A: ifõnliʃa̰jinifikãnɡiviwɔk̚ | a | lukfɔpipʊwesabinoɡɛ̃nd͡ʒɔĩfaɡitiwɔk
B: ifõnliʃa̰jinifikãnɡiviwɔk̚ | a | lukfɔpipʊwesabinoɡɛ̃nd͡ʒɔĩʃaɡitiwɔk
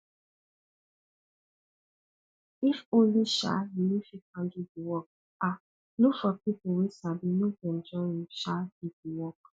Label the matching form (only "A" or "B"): B